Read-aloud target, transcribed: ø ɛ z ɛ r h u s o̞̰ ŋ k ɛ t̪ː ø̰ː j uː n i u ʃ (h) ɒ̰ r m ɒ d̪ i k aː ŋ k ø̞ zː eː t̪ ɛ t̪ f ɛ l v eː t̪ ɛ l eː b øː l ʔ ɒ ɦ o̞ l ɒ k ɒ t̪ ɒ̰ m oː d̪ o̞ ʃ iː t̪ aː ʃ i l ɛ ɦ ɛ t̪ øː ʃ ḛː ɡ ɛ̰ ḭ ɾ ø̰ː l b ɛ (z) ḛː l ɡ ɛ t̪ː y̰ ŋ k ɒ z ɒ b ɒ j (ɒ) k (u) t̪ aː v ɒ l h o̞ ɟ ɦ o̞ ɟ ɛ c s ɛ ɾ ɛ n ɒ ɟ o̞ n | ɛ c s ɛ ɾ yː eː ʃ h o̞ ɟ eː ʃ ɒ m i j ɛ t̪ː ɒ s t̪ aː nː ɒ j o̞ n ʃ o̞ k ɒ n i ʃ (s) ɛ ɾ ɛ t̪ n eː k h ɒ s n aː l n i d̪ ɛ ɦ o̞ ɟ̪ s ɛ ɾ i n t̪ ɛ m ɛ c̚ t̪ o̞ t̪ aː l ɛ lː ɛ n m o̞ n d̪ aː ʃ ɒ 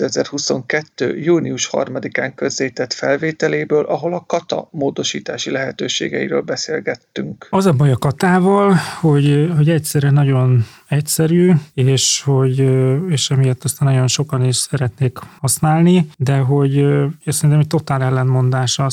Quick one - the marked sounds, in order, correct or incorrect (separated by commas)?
correct, incorrect, correct, incorrect, correct